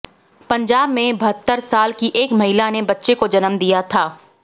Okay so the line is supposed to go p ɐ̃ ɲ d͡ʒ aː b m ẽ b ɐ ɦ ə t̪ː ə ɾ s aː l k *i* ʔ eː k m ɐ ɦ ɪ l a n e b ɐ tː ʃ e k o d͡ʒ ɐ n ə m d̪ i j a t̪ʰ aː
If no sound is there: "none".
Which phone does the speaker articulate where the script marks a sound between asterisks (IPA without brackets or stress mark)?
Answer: i